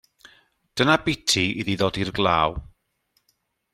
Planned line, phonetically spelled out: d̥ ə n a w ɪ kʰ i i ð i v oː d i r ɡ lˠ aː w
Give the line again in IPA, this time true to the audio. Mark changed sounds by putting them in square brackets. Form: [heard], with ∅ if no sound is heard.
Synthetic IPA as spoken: d̥ ə n a [b] ɪ [tʰ] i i ð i [ð] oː d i r ɡ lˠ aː w